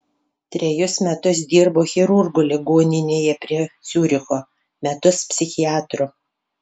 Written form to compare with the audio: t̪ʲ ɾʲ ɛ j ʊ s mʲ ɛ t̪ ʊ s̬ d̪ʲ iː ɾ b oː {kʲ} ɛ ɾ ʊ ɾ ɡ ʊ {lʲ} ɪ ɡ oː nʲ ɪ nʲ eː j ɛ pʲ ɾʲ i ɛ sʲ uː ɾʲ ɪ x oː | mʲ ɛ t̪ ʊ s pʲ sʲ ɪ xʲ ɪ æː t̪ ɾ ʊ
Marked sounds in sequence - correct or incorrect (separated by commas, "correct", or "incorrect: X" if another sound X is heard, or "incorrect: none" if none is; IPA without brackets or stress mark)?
incorrect: xʲ, correct